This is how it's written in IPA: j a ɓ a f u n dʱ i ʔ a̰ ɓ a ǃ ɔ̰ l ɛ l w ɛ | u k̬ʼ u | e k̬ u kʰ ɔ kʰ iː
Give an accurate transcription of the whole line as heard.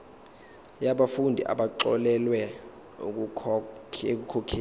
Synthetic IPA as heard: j a ɓ a f u n dʱ i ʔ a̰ ɓ a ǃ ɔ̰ l ɛ l w ɛ | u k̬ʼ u | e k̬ u kʰ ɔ kʰ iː